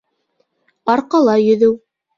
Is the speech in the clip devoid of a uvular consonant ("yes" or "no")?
no